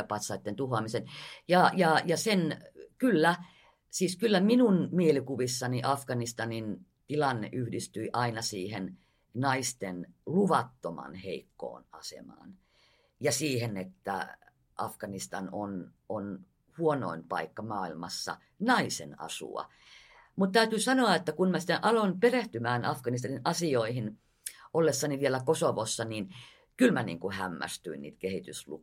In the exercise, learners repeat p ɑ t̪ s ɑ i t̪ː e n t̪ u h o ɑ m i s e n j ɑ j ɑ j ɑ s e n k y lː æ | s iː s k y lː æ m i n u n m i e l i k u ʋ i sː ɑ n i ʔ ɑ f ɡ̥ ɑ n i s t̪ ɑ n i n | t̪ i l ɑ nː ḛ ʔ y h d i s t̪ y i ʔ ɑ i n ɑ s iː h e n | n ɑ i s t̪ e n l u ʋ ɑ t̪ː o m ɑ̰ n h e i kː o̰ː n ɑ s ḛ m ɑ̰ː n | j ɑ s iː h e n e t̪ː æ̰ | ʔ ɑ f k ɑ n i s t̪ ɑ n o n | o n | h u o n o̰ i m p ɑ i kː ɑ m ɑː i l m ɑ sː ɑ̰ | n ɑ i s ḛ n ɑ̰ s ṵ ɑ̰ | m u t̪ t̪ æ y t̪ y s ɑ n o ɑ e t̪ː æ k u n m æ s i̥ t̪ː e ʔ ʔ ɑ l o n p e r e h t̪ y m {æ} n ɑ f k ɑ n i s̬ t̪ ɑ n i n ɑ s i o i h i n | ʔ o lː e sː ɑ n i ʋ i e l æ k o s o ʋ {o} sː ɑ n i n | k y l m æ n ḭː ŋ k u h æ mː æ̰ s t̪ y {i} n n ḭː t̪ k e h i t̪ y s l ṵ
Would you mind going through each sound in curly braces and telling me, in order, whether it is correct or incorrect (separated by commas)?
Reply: incorrect, correct, correct